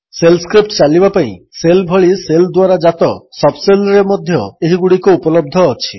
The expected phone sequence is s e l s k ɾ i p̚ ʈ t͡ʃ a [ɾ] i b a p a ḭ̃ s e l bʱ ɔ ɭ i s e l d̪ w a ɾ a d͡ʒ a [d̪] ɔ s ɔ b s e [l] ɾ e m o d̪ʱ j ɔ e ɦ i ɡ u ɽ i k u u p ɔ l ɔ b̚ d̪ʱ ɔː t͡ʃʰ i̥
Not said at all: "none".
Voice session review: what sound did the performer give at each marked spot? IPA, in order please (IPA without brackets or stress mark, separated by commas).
l, t̪, l